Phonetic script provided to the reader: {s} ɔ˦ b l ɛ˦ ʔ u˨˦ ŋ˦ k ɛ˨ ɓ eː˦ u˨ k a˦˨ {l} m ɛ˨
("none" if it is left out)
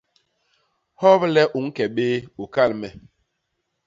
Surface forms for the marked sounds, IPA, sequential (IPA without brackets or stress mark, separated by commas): h, l